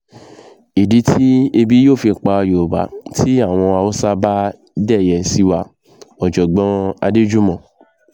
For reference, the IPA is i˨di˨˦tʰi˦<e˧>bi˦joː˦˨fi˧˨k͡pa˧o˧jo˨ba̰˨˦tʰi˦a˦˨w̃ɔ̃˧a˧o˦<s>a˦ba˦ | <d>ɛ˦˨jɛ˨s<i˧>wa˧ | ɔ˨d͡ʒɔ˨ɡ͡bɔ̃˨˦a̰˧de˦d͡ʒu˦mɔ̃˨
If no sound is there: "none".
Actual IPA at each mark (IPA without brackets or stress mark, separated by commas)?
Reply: e˧, s, d, i˧